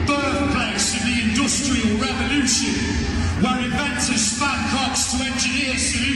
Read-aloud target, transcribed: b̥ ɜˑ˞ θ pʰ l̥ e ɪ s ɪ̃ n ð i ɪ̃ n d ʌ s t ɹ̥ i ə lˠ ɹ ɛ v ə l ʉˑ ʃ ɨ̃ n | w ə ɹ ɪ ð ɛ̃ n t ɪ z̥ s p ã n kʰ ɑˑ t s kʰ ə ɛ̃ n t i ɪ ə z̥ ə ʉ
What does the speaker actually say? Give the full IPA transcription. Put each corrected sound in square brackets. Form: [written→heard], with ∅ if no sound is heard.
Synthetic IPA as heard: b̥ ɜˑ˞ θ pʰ l̥ e ɪ s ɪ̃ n ð i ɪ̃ n d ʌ s t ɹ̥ i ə lˠ ɹ ɛ v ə l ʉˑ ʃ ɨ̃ n | w ə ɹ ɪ [ð→v] ɛ̃ n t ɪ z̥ s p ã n kʰ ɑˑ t s [kʰ→tʰ] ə ɛ̃ n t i ɪ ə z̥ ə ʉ